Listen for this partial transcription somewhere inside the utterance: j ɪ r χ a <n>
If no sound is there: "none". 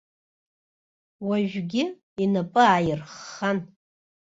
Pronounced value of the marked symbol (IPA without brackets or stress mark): n